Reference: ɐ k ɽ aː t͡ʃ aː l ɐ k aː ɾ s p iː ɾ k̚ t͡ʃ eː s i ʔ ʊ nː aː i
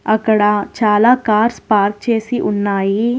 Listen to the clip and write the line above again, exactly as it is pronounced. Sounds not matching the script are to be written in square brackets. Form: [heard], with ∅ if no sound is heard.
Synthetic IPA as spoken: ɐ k ɽ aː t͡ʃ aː l [a] k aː ɾ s p [aː] ɾ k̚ t͡ʃ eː s i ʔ ʊ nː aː i